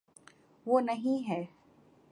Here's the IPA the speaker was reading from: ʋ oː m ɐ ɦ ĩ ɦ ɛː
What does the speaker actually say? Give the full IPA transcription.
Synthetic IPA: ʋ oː n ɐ ɦ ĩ ɦ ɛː